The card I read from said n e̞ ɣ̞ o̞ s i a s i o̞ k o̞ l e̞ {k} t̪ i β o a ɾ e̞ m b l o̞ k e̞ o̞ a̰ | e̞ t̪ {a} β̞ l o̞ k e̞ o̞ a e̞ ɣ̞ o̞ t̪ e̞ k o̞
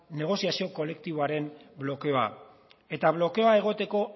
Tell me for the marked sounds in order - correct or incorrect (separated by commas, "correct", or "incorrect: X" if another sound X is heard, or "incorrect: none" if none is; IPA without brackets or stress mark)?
correct, correct